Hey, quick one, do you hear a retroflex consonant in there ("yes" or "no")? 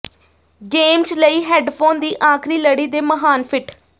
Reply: yes